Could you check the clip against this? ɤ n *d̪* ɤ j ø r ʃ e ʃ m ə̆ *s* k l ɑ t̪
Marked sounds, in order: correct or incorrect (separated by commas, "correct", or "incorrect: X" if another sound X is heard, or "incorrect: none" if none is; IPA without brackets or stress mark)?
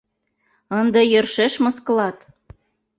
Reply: correct, correct